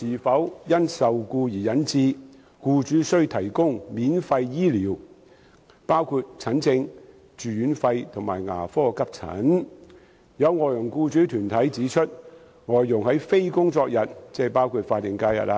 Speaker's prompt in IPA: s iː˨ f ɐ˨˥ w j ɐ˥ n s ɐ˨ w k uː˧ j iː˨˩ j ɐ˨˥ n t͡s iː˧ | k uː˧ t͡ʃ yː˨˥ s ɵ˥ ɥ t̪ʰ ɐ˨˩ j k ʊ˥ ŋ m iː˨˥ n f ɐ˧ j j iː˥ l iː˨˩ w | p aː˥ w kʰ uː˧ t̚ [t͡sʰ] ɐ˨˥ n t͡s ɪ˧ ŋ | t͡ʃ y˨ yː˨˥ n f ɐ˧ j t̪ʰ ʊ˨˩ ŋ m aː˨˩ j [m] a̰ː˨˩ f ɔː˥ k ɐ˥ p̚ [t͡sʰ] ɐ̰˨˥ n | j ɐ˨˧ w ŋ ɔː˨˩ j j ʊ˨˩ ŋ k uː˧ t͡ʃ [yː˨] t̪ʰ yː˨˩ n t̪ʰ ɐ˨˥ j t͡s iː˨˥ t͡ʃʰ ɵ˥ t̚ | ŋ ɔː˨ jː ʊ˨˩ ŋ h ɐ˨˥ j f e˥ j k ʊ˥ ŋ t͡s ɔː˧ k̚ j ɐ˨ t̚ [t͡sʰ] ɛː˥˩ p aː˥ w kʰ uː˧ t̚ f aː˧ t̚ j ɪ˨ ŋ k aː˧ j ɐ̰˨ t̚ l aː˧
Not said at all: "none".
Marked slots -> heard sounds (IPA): t͡sʰ, ŋ, t͡sʰ, yː˨˥, t͡s

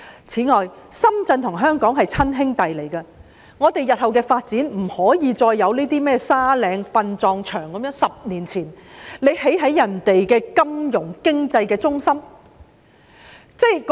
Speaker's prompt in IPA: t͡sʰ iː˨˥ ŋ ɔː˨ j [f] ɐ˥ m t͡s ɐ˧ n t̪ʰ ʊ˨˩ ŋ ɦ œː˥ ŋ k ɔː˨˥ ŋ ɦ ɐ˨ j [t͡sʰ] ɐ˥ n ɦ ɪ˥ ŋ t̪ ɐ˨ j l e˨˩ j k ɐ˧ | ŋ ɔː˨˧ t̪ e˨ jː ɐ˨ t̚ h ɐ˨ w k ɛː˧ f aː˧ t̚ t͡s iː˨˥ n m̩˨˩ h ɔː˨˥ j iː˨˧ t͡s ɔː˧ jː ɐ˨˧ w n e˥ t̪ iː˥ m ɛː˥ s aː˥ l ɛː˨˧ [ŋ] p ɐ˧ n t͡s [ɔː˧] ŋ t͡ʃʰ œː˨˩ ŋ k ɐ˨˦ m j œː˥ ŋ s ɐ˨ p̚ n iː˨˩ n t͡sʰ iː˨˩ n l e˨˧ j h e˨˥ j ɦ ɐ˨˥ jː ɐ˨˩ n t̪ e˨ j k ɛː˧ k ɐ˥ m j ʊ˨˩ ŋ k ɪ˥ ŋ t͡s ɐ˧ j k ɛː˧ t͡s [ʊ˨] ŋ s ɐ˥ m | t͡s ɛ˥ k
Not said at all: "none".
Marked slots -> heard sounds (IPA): s, t͡sʰ, ŋ, ɔː˧, ʊ˥

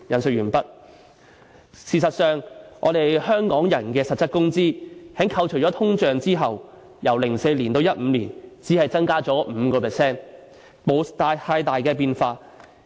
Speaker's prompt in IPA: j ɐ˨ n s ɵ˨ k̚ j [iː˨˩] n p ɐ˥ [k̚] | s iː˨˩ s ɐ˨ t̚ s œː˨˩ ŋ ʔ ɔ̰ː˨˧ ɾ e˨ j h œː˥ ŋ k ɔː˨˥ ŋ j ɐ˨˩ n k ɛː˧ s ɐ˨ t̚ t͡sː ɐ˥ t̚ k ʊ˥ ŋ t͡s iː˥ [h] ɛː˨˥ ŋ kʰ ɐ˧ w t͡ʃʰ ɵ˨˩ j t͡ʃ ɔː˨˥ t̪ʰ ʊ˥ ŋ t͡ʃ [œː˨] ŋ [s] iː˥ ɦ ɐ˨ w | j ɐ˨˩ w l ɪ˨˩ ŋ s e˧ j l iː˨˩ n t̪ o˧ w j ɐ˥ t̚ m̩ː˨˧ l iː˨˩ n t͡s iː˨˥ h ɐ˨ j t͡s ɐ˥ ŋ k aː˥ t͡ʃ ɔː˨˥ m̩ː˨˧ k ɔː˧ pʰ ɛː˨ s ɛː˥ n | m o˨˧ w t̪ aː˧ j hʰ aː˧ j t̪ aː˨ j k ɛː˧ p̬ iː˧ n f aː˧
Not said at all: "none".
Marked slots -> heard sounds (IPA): yː˨˩, t̚, h, œː˨, t͡s

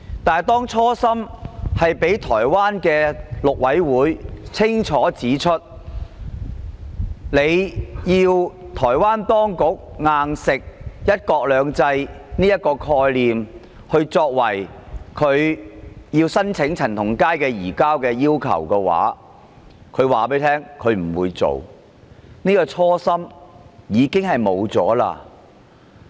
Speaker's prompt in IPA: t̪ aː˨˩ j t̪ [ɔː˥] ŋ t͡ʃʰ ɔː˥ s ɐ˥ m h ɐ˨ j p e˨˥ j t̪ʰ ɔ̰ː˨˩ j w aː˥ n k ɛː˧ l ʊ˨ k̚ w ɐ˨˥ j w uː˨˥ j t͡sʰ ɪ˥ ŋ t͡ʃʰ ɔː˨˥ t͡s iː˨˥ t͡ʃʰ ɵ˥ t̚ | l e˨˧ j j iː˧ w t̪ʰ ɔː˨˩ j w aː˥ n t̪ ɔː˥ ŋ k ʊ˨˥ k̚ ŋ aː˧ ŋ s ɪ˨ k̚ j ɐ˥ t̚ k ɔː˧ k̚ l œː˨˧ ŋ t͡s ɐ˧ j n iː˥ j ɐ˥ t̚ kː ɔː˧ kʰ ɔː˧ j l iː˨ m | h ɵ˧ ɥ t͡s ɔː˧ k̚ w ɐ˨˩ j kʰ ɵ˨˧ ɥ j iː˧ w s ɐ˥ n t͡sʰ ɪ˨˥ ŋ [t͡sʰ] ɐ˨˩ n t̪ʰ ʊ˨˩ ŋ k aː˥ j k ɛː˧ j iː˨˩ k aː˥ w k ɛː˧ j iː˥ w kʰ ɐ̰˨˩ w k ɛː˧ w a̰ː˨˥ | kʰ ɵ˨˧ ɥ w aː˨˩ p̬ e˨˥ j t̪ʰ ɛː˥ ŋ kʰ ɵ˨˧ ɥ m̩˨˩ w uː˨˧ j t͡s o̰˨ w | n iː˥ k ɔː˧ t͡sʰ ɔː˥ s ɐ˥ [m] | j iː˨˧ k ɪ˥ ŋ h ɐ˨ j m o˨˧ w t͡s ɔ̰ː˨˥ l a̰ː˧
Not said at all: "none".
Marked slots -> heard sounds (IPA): ɔː˥, t͡sʰ, m

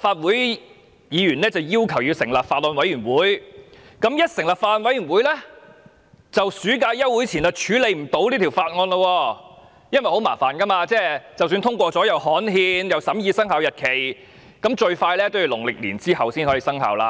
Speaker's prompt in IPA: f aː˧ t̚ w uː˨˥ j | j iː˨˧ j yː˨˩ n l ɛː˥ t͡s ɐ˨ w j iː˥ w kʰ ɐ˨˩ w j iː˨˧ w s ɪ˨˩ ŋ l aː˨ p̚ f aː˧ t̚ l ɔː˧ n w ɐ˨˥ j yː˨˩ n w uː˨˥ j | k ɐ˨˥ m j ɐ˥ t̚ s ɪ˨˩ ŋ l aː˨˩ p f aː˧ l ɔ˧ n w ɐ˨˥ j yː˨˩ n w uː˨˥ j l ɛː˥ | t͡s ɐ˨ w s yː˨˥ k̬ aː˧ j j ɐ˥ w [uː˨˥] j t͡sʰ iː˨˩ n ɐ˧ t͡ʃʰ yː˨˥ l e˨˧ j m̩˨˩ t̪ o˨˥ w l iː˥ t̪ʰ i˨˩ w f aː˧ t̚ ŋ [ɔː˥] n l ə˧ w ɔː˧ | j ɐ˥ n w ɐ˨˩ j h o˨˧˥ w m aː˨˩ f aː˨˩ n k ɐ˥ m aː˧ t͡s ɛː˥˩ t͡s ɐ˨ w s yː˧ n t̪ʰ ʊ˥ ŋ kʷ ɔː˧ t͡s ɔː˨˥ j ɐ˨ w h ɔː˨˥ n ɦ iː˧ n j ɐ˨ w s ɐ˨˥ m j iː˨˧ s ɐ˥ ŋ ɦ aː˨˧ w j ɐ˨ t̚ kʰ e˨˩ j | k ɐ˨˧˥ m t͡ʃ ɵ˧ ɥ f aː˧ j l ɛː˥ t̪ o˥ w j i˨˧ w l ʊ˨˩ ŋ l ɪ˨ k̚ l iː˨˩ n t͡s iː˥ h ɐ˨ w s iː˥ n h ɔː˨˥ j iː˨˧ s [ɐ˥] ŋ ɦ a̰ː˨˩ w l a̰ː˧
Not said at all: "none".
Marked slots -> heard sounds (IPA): u˨˥, ɔː˧, ɐ˥

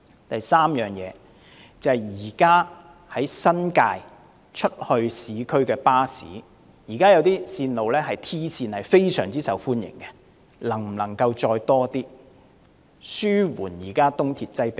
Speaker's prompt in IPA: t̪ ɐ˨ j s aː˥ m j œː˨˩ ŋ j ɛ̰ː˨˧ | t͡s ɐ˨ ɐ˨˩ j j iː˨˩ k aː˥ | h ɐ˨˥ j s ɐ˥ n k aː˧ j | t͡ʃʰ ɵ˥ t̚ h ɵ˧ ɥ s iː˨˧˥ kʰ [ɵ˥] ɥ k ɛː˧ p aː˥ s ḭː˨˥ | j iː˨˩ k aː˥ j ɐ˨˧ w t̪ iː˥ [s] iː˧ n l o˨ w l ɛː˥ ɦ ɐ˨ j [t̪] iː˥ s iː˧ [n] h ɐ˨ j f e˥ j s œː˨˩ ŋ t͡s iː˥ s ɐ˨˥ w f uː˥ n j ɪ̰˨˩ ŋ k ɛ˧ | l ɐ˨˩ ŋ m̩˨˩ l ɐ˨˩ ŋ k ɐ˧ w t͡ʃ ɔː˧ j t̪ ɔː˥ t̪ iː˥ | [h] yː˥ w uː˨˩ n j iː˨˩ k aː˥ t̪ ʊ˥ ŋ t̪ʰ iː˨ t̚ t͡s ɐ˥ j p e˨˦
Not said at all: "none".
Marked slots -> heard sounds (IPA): ɵ˥, s, t̪ʰ, n, s

